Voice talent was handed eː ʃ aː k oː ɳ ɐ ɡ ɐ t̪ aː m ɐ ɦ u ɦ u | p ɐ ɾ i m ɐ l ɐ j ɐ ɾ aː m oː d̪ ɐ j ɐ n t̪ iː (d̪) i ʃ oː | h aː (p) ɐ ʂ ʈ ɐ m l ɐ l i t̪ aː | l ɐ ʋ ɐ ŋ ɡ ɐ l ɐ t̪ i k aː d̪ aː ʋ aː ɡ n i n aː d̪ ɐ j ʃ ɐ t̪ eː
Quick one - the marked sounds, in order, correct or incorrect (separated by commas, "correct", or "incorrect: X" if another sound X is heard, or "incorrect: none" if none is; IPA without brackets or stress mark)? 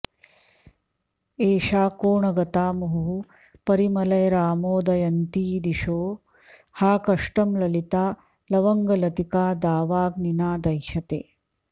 correct, incorrect: k